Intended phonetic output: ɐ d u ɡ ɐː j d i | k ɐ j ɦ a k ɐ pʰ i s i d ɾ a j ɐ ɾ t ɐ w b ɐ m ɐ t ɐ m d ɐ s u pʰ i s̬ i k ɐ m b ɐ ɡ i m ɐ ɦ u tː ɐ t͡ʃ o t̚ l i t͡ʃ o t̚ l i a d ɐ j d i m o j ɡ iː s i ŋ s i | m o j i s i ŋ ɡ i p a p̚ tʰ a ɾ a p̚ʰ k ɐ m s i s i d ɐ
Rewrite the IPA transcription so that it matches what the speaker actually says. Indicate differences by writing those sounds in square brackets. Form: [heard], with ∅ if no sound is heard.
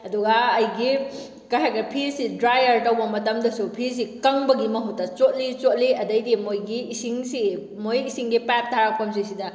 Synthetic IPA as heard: ɐ d u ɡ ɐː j [ɡ] i | k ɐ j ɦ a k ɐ pʰ i s i d ɾ a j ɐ ɾ t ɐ w b ɐ m ɐ t ɐ m d ɐ s u pʰ i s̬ i k ɐ [ŋ] b ɐ ɡ i m ɐ ɦ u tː ɐ t͡ʃ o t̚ l i t͡ʃ o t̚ l i [ɐ] d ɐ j d i m o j ɡ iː s i ŋ s i | m o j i s i ŋ ɡ i p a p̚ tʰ a ɾ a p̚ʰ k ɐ m s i s i d ɐ